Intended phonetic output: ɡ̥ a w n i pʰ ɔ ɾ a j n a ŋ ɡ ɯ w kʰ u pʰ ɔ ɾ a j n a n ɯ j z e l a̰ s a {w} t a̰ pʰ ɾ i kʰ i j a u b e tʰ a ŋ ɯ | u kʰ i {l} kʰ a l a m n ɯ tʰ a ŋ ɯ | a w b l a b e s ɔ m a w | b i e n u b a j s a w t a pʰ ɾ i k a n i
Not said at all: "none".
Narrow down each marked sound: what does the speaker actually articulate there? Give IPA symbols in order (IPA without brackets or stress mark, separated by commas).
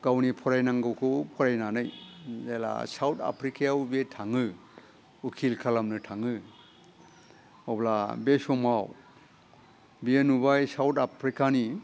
w, l